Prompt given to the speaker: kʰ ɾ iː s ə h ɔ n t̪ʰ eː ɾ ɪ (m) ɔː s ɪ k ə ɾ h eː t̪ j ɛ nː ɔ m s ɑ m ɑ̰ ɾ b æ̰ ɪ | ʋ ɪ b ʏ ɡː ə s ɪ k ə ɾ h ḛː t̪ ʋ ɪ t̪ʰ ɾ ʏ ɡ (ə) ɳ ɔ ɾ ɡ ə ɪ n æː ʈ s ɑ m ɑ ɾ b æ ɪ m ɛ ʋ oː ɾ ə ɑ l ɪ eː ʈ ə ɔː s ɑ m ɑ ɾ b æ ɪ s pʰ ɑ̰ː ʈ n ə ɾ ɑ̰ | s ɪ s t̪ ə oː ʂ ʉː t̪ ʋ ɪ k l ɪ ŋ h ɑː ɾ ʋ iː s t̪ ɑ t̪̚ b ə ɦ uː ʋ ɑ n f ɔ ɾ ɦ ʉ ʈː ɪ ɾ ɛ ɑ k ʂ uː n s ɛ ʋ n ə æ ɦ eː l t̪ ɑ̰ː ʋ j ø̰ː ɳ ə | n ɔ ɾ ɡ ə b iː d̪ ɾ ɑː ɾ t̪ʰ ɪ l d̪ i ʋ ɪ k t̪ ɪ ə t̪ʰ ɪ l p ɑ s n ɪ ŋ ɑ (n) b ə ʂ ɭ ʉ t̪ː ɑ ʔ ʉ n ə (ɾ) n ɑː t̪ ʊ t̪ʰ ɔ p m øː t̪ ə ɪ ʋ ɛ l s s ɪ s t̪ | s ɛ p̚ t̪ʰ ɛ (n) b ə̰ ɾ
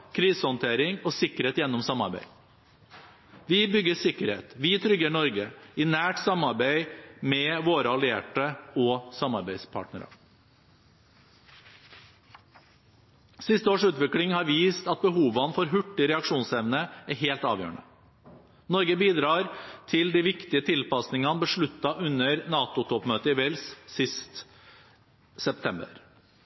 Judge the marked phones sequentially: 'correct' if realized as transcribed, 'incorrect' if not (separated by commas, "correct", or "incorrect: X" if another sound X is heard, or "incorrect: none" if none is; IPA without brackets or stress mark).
incorrect: ŋ, correct, correct, correct, incorrect: m